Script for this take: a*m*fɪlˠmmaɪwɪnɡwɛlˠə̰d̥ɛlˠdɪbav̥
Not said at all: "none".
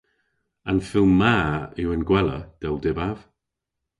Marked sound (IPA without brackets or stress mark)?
n